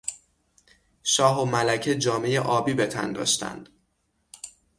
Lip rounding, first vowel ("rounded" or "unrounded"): rounded